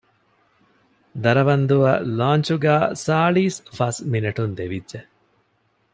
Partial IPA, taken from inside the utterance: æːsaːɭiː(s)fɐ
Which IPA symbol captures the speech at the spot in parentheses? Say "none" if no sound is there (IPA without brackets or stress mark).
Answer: s